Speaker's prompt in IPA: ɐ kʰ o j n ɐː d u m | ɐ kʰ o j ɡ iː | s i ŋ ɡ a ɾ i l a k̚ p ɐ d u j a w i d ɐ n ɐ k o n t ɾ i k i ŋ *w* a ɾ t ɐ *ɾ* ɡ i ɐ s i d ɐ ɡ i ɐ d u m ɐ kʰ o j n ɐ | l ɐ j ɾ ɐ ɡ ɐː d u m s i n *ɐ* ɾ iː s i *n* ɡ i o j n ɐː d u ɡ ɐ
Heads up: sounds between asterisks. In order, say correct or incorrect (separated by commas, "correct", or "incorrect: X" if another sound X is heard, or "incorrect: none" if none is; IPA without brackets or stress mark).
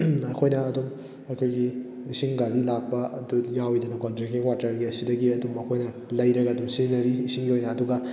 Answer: correct, correct, correct, incorrect: ŋ